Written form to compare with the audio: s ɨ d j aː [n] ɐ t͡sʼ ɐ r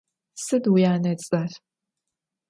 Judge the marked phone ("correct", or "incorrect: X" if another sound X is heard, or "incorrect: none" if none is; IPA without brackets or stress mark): correct